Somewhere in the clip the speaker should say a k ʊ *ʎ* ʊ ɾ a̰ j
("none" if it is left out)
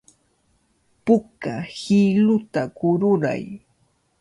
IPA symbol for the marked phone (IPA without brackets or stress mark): ɾ